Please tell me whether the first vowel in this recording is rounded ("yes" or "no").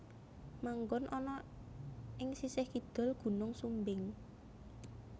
no